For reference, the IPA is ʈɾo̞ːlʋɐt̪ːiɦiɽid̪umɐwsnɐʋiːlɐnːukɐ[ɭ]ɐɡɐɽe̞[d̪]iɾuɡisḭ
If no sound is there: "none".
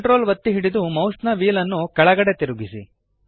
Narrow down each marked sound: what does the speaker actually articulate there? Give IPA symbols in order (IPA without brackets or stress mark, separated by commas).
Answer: ɭ, t̪